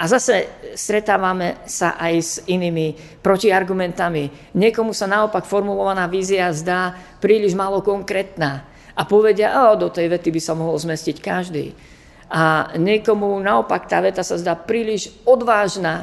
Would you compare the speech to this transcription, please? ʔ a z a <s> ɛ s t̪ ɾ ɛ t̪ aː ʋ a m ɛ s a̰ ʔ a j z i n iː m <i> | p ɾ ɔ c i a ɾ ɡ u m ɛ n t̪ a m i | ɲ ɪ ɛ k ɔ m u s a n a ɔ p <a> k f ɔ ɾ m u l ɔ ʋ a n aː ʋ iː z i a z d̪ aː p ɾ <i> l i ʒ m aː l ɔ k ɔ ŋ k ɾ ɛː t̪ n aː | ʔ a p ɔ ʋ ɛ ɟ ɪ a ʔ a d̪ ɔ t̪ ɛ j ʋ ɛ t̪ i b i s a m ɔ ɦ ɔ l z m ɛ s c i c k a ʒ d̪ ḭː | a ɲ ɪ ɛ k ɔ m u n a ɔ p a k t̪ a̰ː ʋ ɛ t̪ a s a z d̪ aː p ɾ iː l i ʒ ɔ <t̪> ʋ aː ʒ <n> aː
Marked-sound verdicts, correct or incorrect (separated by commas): correct, correct, correct, incorrect, incorrect, correct